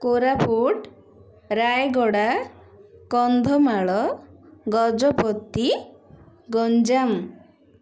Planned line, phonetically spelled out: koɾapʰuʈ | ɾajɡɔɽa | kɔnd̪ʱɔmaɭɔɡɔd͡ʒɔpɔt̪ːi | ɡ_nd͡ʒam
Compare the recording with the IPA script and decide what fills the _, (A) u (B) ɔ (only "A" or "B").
B